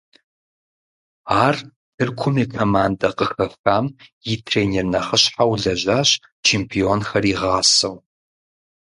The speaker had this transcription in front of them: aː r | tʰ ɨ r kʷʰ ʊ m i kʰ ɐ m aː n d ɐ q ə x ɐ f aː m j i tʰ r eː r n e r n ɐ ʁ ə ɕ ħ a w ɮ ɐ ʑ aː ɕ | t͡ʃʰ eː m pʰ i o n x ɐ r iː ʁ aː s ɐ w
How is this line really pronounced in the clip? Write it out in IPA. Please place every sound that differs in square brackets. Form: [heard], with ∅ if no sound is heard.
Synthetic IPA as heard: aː r | tʰ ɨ r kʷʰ ʊ m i kʰ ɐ m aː n d ɐ q ə x ɐ f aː m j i tʰ r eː [∅] n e r n ɐ [χ] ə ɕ ħ a w ɮ ɐ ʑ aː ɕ | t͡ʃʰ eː m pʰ i o n x ɐ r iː ʁ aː s ɐ w